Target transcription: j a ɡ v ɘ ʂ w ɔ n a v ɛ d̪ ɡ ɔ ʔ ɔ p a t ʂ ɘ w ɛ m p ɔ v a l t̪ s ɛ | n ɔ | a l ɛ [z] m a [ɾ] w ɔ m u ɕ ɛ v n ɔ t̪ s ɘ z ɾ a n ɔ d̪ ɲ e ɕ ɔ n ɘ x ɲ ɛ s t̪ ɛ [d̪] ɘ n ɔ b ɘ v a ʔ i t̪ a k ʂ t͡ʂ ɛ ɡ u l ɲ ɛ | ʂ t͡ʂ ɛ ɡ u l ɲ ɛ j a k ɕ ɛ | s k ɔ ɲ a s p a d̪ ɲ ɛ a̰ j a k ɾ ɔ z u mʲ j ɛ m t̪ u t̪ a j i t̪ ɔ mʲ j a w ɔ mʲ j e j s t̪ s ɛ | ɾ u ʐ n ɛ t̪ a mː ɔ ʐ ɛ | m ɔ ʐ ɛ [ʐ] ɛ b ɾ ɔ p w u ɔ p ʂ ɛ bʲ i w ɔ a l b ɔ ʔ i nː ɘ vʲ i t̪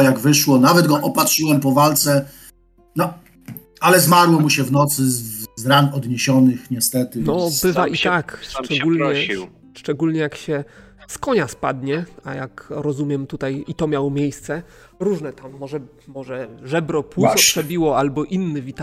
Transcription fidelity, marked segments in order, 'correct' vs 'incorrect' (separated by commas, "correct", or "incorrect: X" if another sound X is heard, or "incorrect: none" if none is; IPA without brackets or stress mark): correct, correct, incorrect: t̪, correct